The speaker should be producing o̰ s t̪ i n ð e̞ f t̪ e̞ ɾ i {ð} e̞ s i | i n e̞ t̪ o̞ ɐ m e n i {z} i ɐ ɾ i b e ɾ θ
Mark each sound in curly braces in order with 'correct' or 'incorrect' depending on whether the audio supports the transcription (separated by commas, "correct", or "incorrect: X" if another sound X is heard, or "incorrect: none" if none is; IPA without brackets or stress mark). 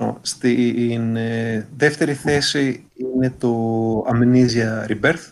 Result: incorrect: θ, correct